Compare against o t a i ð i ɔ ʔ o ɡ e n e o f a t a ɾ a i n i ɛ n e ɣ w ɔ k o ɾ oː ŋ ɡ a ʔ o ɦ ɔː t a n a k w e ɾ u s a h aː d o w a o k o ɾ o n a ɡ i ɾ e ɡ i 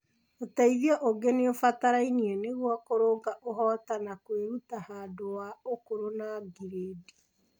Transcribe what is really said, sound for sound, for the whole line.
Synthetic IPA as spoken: o t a i ð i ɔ ʔ o ɡ e n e o f a t a ɾ a i n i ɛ n e ɣ w ɔ k o ɾ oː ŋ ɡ a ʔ o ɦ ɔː t a n a k w e ɾ u t a h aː d o w a o k o ɾ o n a ɡ i ɾ e d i